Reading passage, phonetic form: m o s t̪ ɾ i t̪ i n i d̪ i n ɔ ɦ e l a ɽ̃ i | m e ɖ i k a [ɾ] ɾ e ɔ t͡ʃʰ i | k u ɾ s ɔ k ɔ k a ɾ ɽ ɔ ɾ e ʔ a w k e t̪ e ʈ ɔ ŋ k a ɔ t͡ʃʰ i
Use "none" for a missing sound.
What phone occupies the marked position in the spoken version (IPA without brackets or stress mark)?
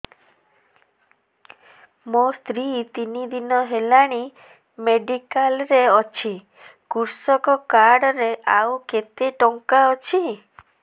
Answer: l